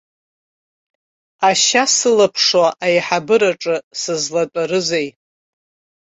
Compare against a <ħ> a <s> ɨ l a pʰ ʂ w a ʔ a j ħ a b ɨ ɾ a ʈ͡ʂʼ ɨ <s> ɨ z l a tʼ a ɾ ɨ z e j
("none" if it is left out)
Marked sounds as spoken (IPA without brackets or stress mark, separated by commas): ʃ, s, s